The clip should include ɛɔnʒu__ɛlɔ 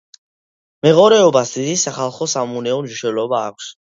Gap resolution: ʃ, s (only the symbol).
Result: ʃ